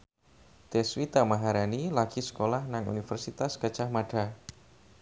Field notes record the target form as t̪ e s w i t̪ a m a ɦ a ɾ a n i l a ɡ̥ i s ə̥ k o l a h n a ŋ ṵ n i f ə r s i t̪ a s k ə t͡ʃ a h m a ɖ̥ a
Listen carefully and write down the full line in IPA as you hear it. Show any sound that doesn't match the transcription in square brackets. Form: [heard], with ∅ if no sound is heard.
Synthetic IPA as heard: t̪ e s w i t̪ a m a ɦ a ɾ a n i l a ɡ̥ i s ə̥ k o l a h n a ŋ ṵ n i f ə r s i t̪ a s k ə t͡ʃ a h m a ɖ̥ a